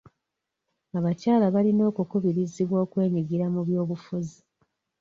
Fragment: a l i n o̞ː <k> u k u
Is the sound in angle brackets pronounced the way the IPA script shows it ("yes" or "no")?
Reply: yes